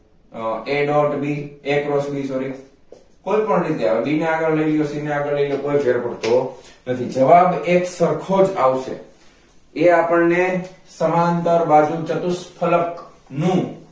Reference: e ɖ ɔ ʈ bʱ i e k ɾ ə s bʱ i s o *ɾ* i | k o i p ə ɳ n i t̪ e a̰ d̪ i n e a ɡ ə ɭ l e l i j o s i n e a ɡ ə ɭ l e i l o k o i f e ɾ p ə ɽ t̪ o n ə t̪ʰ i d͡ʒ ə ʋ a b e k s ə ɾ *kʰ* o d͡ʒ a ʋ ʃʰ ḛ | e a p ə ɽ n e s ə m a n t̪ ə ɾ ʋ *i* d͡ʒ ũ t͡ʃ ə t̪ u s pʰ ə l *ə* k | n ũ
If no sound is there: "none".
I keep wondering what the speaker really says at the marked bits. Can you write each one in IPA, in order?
ɾ, kʰ, a, ə

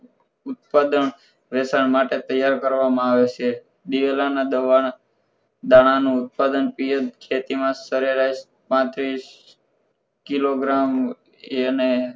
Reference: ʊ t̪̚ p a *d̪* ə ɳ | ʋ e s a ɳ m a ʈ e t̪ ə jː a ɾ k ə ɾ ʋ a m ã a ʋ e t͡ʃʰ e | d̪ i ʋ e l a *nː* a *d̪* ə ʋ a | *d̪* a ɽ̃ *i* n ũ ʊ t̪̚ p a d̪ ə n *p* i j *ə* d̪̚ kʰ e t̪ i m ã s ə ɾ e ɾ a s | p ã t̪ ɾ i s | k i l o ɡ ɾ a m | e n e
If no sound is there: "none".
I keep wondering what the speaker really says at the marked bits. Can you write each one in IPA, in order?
d̪, n, d̪, d̪, a, p, ə

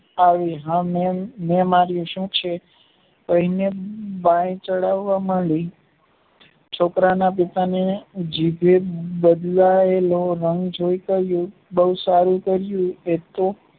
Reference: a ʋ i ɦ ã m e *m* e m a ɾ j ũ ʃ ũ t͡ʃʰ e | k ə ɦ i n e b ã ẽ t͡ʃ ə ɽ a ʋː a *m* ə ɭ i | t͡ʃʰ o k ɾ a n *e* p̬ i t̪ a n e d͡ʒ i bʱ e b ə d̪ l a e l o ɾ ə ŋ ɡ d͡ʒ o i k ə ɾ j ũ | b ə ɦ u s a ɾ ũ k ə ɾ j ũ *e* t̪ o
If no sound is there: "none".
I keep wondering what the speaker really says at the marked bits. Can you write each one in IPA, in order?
m, m, a, e

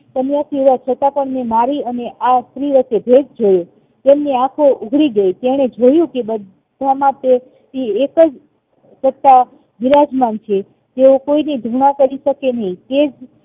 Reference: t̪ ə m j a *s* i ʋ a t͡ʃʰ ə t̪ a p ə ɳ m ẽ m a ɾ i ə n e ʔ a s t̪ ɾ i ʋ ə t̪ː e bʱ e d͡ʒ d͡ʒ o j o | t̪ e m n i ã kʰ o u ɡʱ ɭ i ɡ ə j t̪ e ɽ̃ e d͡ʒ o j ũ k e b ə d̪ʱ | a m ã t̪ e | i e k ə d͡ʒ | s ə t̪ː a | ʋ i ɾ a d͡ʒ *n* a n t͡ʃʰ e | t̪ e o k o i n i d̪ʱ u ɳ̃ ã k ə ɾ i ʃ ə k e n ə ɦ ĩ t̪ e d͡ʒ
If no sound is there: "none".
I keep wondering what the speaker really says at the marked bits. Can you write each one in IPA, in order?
s, m

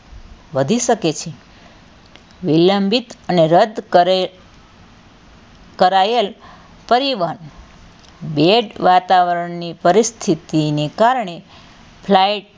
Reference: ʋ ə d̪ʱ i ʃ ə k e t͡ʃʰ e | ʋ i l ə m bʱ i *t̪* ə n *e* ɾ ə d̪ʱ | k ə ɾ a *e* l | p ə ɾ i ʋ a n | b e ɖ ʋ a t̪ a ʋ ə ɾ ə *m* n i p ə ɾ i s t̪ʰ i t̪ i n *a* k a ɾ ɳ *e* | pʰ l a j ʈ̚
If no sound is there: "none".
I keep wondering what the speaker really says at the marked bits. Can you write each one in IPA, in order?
t̪, e, e, ɳ, e, e

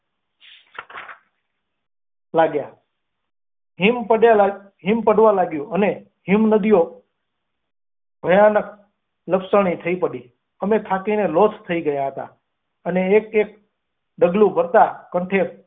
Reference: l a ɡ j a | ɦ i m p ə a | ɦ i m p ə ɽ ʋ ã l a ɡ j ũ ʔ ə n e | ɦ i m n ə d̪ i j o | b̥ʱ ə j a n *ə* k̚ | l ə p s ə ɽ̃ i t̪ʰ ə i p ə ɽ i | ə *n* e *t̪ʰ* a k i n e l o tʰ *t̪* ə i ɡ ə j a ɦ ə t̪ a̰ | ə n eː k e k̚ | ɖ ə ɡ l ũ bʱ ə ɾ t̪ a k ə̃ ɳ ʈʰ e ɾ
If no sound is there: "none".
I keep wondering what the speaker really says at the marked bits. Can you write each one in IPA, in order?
ə, m, t̪ʰ, t̪ʰ

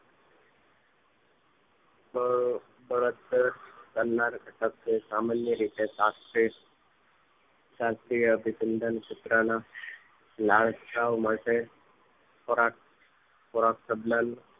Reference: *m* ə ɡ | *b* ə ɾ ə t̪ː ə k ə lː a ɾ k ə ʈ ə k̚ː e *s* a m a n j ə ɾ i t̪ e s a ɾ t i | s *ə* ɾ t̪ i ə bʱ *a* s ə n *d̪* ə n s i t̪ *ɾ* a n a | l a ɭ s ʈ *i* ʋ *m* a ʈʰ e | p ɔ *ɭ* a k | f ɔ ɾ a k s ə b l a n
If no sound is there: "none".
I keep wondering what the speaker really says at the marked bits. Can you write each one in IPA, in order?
m, b, s, a, i, d̪, ɾ, a, m, ɾ

